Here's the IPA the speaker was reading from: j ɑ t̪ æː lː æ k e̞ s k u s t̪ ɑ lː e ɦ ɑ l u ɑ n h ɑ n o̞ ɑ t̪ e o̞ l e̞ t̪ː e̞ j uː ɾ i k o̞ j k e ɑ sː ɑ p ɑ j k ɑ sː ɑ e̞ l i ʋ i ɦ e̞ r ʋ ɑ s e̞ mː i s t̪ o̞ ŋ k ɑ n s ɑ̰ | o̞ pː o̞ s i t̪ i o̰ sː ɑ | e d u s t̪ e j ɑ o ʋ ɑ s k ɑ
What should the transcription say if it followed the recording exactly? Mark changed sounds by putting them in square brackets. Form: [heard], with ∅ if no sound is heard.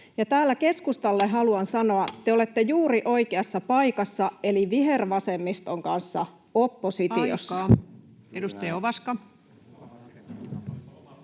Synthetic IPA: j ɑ t̪ æː lː æ k e̞ s k u s t̪ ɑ lː e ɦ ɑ l u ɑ n [s] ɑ n o̞ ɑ t̪ e o̞ l e̞ t̪ː e̞ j uː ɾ i [ʔ] o̞ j k e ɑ sː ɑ p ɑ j k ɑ sː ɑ e̞ l i ʋ i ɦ e̞ r ʋ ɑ s e̞ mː i s t̪ o̞ ŋ k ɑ n [sː] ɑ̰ | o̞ pː o̞ s i t̪ i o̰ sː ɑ | e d u s t̪ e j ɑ o ʋ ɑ s k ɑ